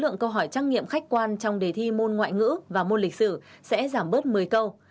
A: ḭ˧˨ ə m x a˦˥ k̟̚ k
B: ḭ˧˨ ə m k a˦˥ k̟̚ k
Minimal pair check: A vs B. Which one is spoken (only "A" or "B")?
A